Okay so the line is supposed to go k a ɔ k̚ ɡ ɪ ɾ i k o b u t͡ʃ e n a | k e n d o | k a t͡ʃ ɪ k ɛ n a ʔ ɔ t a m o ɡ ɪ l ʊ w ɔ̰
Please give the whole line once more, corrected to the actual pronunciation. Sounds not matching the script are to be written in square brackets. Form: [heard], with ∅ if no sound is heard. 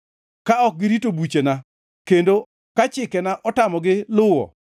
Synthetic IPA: k a ɔ k̚ ɡ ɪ ɾ i [t] o b u t͡ʃ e n a | k e n d o | k a t͡ʃ ɪ k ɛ n a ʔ ɔ t a m [ɔ] ɡ ɪ l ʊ w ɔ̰